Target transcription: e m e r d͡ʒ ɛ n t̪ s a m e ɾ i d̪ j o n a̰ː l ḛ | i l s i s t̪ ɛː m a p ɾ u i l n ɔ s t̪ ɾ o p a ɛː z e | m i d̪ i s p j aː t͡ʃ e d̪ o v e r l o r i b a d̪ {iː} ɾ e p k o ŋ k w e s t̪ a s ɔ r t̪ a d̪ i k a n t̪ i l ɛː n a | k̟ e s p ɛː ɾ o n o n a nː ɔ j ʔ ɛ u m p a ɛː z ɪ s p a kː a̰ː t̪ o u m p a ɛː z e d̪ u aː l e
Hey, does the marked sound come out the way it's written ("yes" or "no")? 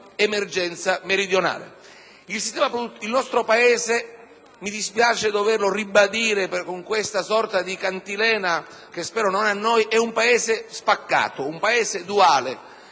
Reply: yes